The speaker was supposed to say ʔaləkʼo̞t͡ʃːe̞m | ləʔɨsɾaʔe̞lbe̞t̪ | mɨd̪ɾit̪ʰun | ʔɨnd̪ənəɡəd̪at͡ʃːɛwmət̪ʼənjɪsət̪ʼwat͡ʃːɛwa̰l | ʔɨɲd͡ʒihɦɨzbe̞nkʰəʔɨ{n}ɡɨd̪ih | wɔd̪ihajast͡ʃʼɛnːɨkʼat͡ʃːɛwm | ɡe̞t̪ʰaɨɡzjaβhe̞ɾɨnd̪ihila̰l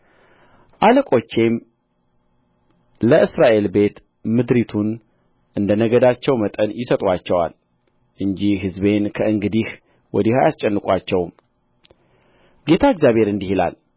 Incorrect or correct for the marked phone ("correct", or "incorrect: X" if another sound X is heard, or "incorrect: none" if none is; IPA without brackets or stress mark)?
incorrect: ŋ